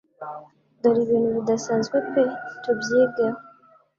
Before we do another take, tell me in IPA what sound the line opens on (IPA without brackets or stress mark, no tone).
d